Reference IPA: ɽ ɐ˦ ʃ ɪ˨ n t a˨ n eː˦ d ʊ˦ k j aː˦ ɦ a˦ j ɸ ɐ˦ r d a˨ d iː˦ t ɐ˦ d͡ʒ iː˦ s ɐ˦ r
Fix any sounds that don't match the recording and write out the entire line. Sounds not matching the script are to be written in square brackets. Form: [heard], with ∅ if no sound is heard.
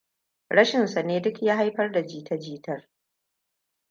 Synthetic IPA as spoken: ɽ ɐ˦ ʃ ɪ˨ n [s] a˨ n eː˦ d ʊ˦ k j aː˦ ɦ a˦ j ɸ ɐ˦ r d a˨ [d͡ʒ] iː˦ t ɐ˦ d͡ʒ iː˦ [t] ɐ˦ r